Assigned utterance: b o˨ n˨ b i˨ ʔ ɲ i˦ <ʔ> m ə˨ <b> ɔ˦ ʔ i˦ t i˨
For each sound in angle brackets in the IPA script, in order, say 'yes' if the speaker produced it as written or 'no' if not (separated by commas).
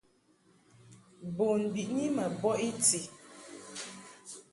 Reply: no, yes